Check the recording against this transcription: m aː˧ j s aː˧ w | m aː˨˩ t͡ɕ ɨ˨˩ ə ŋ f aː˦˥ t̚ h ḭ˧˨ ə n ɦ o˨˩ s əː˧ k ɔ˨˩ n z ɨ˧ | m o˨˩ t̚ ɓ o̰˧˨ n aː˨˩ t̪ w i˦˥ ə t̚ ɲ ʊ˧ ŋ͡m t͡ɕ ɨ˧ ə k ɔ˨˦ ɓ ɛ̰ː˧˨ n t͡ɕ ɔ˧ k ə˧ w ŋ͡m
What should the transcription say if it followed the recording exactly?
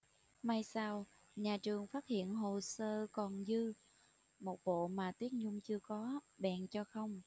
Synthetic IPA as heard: m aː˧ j s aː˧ w | ɲ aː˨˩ t͡ɕ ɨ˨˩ ə ŋ f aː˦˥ t̚ h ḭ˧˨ ə n ɦ o˨˩ s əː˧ k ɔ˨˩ n z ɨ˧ | m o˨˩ t̚ ɓ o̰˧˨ m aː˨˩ t̪ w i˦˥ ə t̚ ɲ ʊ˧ ŋ͡m t͡ɕ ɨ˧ ə k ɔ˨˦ ɓ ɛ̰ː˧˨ n t͡ɕ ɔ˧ x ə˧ w ŋ͡m